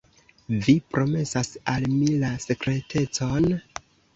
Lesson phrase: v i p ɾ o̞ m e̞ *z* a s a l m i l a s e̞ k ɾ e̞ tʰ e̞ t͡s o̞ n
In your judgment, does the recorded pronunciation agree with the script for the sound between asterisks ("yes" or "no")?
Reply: no